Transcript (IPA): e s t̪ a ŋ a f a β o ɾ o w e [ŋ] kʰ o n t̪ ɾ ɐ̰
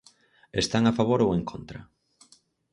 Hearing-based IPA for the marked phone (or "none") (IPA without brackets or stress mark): ŋ